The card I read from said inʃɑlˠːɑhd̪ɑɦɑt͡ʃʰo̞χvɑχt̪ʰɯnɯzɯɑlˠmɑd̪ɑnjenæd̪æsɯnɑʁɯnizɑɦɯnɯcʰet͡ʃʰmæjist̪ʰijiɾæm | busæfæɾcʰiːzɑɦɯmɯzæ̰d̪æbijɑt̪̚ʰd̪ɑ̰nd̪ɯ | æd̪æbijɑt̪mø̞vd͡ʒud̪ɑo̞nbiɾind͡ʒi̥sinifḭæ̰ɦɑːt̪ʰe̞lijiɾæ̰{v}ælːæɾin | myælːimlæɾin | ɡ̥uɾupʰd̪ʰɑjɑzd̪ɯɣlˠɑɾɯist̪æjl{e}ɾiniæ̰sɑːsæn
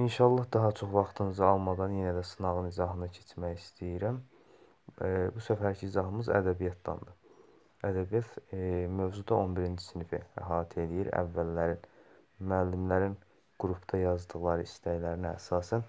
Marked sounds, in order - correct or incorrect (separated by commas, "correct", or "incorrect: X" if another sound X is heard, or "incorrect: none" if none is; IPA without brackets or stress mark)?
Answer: incorrect: vː, incorrect: æ